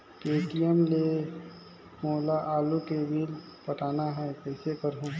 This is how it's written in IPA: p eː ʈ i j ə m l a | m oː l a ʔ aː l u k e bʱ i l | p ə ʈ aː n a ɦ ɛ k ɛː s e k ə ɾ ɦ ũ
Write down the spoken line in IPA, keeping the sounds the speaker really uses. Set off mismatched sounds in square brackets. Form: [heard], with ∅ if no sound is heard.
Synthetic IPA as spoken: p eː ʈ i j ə m l [e] | m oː l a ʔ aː l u k e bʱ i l | p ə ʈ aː n a ɦ ɛ k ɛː s e k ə ɾ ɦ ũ